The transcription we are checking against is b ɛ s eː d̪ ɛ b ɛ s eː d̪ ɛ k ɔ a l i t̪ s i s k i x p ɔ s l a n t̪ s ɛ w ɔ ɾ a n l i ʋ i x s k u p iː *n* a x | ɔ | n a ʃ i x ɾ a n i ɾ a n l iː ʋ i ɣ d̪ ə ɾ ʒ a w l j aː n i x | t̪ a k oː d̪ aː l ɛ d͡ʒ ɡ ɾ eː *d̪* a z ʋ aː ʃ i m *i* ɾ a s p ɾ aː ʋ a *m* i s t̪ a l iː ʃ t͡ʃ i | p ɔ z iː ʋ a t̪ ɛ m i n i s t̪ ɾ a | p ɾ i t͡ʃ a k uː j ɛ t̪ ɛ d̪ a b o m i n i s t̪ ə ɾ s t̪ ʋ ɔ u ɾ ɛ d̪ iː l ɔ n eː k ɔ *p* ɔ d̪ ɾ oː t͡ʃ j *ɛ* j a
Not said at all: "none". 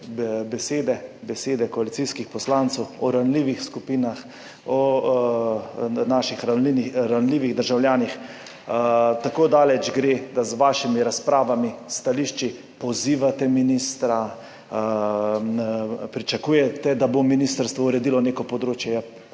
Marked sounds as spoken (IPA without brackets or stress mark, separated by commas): n, d̪, i, m, p, ɛ